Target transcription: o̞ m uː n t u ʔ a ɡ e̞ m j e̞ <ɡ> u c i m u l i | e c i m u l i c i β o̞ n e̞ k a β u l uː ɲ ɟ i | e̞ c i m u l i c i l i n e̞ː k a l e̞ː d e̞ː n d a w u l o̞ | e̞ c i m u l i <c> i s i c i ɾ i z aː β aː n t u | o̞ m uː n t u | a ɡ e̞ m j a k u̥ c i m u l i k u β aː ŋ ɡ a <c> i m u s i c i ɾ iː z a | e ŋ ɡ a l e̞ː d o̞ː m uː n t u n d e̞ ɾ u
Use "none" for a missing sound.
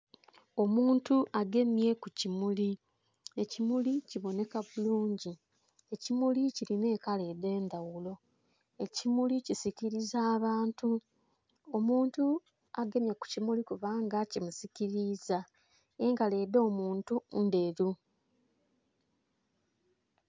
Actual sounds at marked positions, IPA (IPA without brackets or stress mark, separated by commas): k, c, c